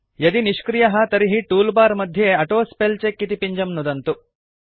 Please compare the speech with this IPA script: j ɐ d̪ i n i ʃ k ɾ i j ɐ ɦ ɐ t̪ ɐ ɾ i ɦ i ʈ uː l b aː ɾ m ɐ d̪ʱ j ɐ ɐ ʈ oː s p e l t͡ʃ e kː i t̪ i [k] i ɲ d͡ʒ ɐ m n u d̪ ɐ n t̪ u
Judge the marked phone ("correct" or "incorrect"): incorrect